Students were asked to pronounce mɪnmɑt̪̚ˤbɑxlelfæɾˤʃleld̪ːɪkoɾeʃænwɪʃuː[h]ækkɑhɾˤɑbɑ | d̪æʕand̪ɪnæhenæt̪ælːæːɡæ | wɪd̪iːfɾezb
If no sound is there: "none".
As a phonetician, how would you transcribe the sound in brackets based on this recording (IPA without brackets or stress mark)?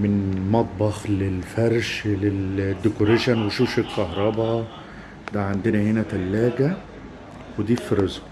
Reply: ʃ